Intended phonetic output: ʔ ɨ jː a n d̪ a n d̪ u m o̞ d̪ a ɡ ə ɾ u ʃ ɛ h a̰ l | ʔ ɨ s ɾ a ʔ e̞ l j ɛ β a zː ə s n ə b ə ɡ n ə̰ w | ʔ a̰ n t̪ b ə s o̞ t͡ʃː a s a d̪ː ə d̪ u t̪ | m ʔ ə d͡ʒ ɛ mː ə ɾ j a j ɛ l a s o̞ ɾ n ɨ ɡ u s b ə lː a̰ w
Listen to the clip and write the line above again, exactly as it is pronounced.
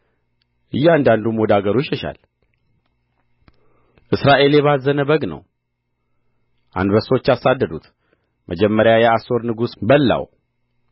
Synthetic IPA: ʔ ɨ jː a n d̪ a n d̪ u m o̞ d̪ a ɡ ə ɾ u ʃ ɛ ʃ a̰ l | ʔ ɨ s ɾ a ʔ e̞ l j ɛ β a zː ə n ə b ə ɡ n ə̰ w | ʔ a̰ n d̪ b ə s o̞ t͡ʃː a s a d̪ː ə d̪ u t̪ | m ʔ ə d͡ʒ ɛ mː ə ɾ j a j ɛ a s o̞ ɾ n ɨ ɡ u s b ə lː a̰ w